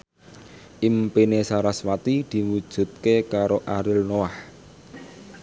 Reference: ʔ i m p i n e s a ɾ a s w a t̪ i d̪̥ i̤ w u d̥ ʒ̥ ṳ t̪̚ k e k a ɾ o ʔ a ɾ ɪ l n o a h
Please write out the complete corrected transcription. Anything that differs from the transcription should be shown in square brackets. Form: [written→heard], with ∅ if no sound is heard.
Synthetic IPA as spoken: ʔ i m p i n e s a ɾ a s w a t̪ i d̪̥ i̤ w u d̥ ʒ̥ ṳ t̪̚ k e k a ɾ o ʔ a ɾ ɪ l n o a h